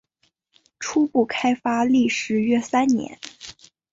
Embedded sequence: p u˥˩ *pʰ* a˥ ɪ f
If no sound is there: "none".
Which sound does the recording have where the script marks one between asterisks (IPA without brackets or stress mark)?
kʰ